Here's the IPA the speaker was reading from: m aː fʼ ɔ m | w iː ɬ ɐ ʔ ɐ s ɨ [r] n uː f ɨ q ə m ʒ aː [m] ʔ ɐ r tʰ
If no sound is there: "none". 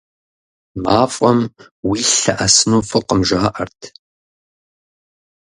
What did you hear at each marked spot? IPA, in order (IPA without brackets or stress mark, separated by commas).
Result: none, none